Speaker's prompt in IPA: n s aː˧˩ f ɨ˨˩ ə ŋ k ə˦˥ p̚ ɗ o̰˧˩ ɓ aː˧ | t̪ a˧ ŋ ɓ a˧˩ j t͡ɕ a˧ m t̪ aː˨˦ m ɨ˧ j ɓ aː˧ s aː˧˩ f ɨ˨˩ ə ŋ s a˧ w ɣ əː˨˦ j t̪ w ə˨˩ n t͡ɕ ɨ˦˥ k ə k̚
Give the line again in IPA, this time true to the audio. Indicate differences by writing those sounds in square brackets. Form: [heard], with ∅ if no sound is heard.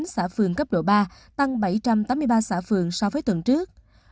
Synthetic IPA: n s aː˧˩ f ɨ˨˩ ə ŋ k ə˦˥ p̚ ɗ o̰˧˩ ɓ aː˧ | t̪ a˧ ŋ ɓ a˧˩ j t͡ɕ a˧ m t̪ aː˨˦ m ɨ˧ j ɓ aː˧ s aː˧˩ f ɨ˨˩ ə ŋ s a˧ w [v] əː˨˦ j t̪ w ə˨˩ n t͡ɕ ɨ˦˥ [∅] ə k̚